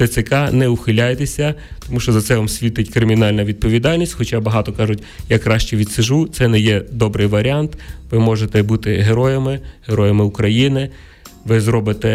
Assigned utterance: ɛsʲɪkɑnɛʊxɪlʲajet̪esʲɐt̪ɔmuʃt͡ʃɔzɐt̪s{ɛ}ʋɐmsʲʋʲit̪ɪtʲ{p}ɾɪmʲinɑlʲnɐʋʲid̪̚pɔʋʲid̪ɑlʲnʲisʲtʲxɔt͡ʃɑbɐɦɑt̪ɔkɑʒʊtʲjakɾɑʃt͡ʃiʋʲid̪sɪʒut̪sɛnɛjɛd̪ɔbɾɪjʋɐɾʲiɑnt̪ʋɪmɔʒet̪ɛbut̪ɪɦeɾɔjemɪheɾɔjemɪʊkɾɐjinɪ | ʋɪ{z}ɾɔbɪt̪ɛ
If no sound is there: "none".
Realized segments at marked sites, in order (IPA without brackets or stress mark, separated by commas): ɛ, k, z